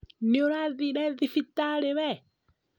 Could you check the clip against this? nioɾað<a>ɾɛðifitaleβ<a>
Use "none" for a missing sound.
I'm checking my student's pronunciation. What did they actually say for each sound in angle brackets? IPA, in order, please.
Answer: i, ɛ

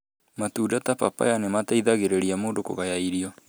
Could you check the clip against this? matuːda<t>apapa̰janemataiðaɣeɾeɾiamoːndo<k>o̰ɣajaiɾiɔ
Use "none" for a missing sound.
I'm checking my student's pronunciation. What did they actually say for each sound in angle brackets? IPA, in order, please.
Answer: t, k

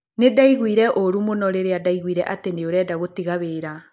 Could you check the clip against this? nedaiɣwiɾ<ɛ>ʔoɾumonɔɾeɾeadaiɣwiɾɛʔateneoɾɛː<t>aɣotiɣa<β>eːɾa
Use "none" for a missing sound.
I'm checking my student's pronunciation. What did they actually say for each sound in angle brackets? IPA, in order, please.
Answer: ɛ, d, β

